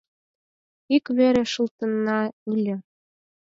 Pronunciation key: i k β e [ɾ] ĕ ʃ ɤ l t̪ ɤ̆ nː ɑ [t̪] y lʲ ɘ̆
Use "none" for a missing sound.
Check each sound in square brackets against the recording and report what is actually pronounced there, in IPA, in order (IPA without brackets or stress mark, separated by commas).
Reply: ɾ, none